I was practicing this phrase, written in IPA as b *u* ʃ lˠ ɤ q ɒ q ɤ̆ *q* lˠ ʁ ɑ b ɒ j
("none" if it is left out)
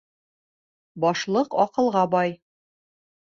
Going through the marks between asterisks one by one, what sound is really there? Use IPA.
ɒ, none

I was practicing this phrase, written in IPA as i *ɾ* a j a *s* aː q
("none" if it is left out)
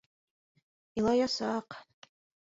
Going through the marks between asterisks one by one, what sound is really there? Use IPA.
l, s

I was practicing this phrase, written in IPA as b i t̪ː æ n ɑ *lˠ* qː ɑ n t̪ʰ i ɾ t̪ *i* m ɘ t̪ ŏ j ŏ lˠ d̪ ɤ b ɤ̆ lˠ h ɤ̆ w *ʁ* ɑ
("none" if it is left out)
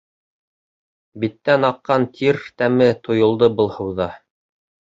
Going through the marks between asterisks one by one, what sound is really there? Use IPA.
none, æ, ð

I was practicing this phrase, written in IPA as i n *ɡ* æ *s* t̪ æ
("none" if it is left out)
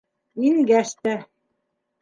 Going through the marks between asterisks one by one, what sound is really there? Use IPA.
ɡ, ʃ

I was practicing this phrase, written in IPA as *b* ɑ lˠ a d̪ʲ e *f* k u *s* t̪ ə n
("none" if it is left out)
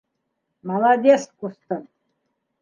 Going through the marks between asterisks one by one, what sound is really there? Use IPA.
m, s, s

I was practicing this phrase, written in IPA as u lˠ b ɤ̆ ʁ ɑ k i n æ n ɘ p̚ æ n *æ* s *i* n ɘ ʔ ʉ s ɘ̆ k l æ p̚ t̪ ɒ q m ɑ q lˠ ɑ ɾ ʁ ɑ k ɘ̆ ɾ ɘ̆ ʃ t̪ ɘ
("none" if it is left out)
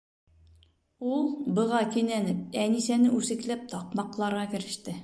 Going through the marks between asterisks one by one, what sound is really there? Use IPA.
i, æ

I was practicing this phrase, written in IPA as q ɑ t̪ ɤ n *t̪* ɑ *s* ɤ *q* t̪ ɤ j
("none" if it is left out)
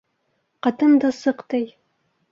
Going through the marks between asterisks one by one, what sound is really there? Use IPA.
d̪, s, q

